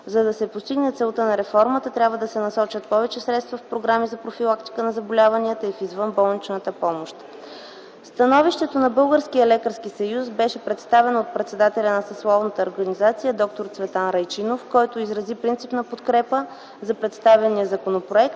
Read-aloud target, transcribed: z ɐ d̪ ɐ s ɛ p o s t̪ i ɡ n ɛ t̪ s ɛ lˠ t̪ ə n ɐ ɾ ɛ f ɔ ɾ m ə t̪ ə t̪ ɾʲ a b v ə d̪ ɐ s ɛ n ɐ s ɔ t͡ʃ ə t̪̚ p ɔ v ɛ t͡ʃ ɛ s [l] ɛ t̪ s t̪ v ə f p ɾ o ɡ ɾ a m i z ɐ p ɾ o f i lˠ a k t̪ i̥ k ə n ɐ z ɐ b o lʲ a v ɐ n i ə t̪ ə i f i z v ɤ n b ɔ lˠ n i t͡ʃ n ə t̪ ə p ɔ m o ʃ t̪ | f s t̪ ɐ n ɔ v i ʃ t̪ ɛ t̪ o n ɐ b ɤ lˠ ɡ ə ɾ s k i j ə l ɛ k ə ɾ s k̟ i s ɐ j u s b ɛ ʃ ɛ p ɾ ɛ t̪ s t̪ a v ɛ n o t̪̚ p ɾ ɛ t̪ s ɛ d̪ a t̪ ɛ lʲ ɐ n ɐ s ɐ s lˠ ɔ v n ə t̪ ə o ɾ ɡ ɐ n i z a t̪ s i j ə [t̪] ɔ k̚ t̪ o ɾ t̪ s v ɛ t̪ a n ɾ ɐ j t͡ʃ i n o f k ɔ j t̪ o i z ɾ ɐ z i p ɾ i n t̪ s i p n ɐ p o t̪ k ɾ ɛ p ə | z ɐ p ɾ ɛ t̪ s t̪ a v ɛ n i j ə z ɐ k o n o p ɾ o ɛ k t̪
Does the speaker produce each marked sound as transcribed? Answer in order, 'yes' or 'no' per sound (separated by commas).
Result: no, no